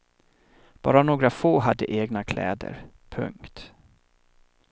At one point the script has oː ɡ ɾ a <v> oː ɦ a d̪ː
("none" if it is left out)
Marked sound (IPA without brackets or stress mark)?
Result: f